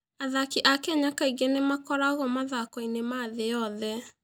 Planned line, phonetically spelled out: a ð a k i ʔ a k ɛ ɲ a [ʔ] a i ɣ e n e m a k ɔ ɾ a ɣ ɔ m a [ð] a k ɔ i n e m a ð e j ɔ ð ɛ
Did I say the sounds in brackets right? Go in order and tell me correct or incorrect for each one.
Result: incorrect: k, correct

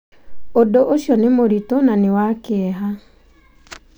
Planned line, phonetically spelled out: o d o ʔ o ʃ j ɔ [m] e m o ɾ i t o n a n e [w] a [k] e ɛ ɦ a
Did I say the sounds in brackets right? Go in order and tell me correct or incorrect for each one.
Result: incorrect: n, correct, correct

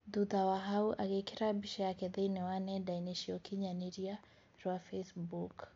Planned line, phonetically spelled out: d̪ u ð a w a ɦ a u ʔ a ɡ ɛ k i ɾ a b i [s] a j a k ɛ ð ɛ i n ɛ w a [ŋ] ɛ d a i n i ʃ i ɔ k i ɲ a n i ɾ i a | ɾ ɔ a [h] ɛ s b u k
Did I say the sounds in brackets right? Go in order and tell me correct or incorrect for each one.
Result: incorrect: ʃ, incorrect: n, incorrect: f

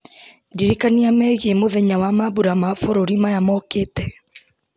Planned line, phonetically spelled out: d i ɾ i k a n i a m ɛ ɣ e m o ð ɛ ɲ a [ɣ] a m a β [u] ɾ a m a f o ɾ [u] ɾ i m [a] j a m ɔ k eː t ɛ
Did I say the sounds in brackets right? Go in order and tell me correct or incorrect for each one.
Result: incorrect: w, correct, incorrect: o, correct

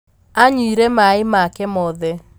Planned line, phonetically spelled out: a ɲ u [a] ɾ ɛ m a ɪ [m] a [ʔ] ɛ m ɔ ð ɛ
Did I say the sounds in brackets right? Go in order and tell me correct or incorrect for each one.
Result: incorrect: i, correct, incorrect: k

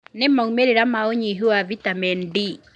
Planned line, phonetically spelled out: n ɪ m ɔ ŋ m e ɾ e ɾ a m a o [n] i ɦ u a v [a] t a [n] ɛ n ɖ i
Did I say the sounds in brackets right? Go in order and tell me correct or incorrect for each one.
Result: incorrect: ɲ, incorrect: i, incorrect: m

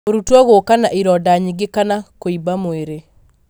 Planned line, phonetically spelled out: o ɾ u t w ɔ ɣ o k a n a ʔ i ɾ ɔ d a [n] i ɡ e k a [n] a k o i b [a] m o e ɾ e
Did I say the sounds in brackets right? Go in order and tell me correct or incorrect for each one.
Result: incorrect: ɲ, correct, correct

